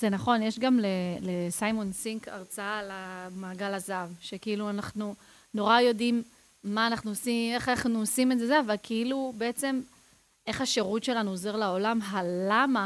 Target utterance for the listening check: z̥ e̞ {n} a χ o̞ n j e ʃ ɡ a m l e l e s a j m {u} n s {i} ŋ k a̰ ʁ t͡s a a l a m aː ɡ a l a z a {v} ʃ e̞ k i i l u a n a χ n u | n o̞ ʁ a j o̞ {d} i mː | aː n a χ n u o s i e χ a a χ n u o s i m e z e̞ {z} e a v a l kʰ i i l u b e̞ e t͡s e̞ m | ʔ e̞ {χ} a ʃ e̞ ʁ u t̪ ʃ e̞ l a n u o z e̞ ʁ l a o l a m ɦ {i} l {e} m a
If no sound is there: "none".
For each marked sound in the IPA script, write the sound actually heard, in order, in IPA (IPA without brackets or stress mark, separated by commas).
n, o, i, v, d, z, χ, a, a